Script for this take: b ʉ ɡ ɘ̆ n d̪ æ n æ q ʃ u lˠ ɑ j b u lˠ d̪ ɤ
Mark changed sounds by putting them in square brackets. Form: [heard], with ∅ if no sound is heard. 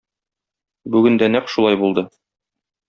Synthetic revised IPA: b ʉ ɡ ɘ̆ n d̪ æ n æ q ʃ u lˠ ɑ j b u lˠ d̪ ɤ